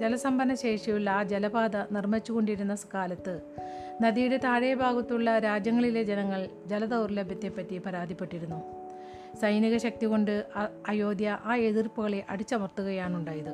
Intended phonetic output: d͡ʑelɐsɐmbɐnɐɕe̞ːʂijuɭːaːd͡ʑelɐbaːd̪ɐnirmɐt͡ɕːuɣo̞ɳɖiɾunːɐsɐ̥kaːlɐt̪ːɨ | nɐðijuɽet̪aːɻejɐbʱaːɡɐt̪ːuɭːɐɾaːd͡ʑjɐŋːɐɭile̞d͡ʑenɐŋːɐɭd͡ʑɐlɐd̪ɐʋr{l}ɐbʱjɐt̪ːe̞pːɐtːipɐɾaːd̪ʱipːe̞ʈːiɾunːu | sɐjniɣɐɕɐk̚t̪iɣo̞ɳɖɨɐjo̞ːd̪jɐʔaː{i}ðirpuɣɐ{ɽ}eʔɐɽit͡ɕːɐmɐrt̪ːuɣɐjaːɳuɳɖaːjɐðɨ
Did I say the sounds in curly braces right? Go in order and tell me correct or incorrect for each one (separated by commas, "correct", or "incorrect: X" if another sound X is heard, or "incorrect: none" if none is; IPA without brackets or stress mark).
correct, incorrect: e, incorrect: ɭ